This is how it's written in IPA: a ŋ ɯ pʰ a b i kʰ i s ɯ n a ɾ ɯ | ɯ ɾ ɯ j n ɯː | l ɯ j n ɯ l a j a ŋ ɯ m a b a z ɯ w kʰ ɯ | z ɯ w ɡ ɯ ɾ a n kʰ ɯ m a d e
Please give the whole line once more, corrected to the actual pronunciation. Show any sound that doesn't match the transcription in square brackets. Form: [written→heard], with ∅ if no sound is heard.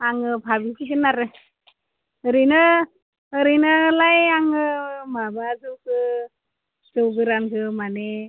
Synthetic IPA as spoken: a ŋ ɯ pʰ a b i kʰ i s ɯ n a ɾ ɯ | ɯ ɾ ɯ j n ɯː | [l→ɾ] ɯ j n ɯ l a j a ŋ ɯ m a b a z ɯ w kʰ ɯ | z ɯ w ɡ ɯ ɾ a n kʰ ɯ m a [d→n] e

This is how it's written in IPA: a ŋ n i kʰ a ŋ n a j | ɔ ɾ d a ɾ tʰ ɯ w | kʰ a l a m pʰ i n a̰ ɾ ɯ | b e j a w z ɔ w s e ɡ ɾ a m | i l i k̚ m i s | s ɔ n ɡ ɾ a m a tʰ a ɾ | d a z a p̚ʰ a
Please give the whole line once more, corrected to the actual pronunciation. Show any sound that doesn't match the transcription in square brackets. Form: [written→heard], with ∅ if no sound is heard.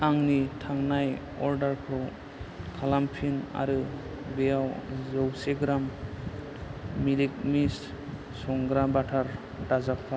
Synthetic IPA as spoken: a ŋ n i [kʰ→tʰ] a ŋ n a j | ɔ ɾ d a ɾ [tʰ→kʰ] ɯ w | kʰ a l a m pʰ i n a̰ ɾ ɯ | b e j a w z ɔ w s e ɡ ɾ a m | i l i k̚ m i s | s ɔ [n→ŋ] ɡ ɾ a [m→b] a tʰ a ɾ | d a z a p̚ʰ a

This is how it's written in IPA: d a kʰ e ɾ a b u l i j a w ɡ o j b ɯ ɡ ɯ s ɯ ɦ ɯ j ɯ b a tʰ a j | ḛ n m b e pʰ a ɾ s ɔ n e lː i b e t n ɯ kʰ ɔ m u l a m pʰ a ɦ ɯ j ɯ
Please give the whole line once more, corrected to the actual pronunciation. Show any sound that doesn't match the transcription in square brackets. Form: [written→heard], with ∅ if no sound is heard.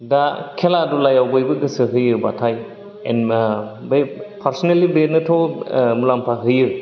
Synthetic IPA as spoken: d a kʰ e [ɾ→l] a [b→d] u l [i→a] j a w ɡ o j b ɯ ɡ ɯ s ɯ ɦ ɯ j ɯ b a tʰ a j | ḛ n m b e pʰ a ɾ s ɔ n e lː i b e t n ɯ [kʰ→tʰ] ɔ m u l a m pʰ a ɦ ɯ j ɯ

